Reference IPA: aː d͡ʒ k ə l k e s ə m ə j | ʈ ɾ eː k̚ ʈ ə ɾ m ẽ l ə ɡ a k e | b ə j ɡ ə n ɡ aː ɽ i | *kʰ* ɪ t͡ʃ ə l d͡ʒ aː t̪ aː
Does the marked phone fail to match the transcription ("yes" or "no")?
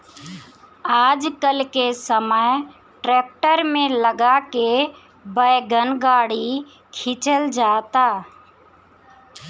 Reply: no